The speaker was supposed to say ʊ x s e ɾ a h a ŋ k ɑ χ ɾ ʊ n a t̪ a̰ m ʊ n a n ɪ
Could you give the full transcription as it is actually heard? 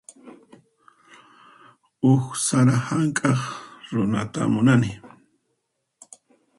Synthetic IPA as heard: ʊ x s a ɾ a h a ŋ kʼ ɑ χ ɾ ʊ n a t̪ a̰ m ʊ n a n ɪ